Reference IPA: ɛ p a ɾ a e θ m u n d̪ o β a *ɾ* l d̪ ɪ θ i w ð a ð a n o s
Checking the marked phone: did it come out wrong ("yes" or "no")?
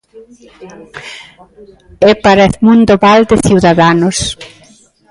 yes